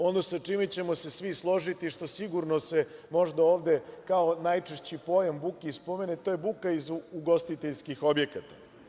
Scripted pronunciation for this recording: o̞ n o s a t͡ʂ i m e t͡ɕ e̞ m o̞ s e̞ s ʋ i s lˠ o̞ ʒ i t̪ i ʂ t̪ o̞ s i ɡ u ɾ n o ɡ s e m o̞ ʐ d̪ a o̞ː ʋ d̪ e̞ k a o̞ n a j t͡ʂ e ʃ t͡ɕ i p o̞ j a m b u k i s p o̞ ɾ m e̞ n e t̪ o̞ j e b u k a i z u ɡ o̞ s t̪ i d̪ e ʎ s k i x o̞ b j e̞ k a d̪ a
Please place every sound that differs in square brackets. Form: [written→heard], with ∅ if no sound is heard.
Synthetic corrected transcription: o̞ n o s a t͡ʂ i m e t͡ɕ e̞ m o̞ s e̞ s ʋ i s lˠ o̞ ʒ i t̪ i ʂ t̪ o̞ s i ɡ u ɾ n o [ɡ→∅] s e m o̞ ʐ d̪ a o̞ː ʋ d̪ e̞ k a o̞ n a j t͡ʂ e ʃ t͡ɕ i p o̞ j a m b u k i s p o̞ [ɾ→∅] m e̞ n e t̪ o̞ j e b u k a i z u ɡ o̞ s t̪ i [d̪→t̪] e ʎ s k i x o̞ b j e̞ k a [d̪→t̪] a